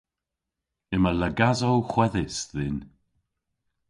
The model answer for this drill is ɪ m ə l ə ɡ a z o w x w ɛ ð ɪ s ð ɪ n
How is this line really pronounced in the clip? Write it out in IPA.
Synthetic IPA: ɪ m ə l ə ɡ a z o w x w ɛ ð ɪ s ð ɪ n